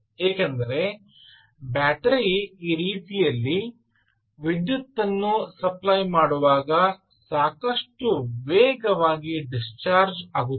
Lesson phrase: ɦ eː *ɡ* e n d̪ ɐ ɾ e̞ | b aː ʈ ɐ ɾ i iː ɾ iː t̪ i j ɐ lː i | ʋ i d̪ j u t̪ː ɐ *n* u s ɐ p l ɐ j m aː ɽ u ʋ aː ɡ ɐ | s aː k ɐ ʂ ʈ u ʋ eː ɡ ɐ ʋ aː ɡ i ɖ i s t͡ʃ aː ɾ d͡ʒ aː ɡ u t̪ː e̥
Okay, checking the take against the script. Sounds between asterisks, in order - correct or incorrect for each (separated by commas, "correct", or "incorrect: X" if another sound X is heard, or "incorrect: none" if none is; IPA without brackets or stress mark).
incorrect: k, incorrect: nː